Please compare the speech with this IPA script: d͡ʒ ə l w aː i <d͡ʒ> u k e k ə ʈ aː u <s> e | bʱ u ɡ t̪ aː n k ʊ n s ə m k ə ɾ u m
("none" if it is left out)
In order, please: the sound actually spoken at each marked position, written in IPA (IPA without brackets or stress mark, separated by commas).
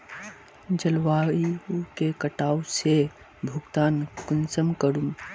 none, s